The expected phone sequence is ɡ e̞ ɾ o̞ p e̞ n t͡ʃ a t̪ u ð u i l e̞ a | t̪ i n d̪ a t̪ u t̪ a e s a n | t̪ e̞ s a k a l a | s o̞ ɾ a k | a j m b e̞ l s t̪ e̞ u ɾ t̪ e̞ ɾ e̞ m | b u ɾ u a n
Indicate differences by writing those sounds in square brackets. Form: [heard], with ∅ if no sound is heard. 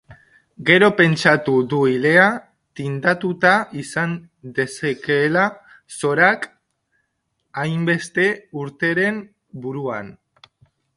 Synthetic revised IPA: ɡ e̞ ɾ o̞ p e̞ n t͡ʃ a t̪ u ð u i l e̞ a | t̪ i n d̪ a t̪ u t̪ a [i] s a n | [d̪] e̞ s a k [e] l a | s o̞ ɾ a k | a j m b e̞ [∅] s t̪ e̞ u ɾ t̪ e̞ ɾ e̞ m | b u ɾ u a n